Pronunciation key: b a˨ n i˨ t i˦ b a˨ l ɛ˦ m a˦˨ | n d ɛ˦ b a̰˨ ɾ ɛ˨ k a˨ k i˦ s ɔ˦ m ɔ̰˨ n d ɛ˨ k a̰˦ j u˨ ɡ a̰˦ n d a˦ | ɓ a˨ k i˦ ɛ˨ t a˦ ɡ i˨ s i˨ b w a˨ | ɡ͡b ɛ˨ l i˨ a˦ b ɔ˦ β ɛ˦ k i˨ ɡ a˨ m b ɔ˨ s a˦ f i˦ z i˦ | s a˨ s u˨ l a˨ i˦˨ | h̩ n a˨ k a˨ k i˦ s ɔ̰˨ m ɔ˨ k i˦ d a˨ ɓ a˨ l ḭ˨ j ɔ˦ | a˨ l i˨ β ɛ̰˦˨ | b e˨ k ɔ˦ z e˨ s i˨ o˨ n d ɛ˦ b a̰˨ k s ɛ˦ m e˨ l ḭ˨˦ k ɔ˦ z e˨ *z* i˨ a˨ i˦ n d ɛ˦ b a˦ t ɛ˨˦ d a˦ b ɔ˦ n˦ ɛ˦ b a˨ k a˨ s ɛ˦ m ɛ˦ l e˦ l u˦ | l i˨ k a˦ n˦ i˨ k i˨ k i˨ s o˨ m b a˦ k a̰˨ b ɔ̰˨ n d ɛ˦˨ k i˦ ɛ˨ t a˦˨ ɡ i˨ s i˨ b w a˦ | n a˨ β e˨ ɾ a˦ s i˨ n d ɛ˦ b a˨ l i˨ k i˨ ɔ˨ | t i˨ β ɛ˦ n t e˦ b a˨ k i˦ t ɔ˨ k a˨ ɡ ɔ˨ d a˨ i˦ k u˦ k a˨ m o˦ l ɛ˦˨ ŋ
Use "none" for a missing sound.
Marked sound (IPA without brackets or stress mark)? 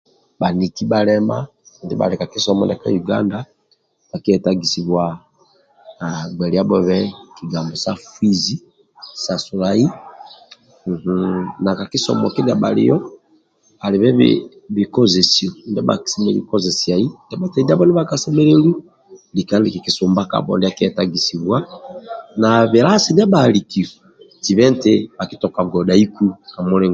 s